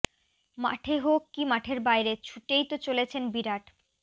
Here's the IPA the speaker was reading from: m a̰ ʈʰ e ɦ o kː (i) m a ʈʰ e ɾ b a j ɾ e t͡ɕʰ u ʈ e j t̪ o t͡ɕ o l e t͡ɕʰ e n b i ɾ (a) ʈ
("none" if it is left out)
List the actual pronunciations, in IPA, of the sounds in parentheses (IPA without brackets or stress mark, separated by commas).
i, a